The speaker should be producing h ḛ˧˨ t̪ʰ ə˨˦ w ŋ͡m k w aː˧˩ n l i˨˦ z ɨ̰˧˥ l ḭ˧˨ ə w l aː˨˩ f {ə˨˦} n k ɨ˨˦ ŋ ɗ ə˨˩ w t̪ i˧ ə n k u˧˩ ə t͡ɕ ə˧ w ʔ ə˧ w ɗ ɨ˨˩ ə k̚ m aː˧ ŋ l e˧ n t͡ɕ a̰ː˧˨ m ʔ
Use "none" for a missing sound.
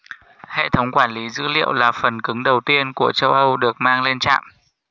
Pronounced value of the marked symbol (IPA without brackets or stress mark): ə˨˩